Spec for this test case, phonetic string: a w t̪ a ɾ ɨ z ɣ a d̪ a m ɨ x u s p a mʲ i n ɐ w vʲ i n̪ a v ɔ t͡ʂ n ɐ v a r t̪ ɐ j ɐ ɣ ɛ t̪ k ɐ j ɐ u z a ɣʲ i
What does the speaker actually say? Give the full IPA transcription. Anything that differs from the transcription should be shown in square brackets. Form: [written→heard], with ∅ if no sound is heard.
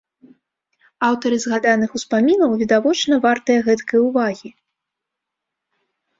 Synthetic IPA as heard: a w t̪ [a→ɐ] ɾ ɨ z ɣ a d̪ a [m→n] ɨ x u s p a mʲ i n ɐ w vʲ i [n̪→d̪] a v ɔ t͡ʂ n ɐ v a r t̪ ɐ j ɐ ɣ ɛ t̪ k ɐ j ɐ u [z→v] a ɣʲ i